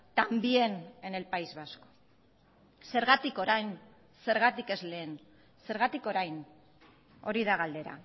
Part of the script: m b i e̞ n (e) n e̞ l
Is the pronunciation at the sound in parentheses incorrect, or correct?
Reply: correct